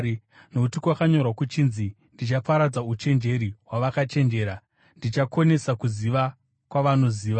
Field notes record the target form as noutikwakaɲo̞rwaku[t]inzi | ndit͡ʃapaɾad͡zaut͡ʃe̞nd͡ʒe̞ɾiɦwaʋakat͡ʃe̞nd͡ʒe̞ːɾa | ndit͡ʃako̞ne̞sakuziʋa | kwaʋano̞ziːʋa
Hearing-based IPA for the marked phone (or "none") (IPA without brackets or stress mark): t͡ʃ